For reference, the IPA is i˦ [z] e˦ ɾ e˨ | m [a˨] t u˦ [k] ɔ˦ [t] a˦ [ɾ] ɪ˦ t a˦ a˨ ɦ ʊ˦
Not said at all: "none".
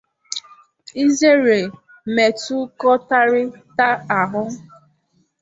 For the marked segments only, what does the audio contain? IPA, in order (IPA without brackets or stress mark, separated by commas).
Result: z, e˨, k, t, ɾ